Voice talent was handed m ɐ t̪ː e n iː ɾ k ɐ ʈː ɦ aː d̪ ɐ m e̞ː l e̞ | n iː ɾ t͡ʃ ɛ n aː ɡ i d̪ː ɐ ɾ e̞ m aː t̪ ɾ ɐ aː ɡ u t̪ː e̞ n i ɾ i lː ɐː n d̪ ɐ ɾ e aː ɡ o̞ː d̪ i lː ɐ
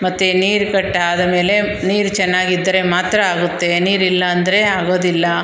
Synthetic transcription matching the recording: m ɐ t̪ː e n iː ɾ k ɐ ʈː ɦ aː d̪ ɐ m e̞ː l e̞ | n iː ɾ t͡ʃ ɛ nː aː ɡ i d̪ː ɐ ɾ e̞ m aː t̪ ɾ ɐ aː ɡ u t̪ː e̞ n iː ɾ i lː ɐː n d̪ ɐ ɾ e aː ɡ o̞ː d̪ i lː ɐ